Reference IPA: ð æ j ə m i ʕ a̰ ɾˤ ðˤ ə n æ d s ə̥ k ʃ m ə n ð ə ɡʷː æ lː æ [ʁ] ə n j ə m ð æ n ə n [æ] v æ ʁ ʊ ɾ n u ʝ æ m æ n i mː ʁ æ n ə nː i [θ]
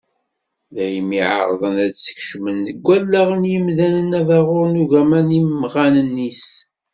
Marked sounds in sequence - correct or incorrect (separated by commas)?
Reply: correct, correct, incorrect